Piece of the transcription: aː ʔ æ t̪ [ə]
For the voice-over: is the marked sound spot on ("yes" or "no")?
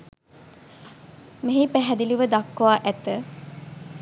yes